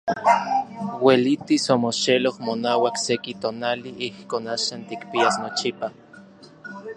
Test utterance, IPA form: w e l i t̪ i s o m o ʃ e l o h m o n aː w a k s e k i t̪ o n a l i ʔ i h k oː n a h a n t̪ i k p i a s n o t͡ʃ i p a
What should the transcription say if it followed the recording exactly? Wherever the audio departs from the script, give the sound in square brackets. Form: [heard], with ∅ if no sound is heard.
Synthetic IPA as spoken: w e l i t̪ i s o m o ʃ e l o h m o n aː w a k s e k i t̪ o n a l i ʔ i h k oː n a [ʃ] a n t̪ i k p i a s n o t͡ʃ i p a